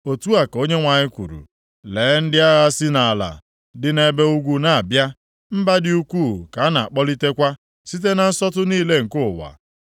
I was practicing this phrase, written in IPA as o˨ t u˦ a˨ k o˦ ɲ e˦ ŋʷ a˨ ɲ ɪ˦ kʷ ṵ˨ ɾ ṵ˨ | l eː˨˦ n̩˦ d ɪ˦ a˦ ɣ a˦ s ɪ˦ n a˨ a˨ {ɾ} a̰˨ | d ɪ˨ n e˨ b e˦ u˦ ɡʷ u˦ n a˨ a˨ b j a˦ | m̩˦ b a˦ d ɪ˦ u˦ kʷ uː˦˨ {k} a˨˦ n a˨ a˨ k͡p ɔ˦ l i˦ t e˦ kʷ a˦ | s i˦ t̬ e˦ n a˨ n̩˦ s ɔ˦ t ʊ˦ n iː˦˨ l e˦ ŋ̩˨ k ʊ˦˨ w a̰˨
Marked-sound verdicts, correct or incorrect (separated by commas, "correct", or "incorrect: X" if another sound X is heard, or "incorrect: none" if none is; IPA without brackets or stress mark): incorrect: l, correct